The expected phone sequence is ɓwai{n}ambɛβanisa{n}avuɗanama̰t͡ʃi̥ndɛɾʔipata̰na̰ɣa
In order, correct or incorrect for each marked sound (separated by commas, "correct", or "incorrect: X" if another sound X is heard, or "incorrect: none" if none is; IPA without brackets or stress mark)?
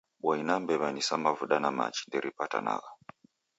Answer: correct, incorrect: m